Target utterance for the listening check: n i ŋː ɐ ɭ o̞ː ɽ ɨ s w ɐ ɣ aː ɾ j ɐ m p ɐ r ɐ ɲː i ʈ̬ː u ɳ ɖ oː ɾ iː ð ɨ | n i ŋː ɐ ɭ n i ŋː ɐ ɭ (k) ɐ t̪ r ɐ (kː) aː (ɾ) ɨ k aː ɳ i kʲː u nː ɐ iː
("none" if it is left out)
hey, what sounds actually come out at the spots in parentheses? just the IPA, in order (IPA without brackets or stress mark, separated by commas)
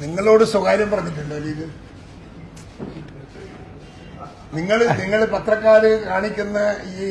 p, kː, ɾ